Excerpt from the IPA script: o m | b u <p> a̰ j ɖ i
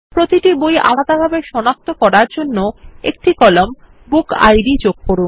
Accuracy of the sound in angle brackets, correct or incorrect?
incorrect